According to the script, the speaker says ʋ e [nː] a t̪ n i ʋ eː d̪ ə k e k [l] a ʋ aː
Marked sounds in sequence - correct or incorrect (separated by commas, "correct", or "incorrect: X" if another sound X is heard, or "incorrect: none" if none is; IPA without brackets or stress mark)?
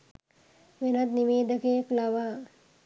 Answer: incorrect: n, correct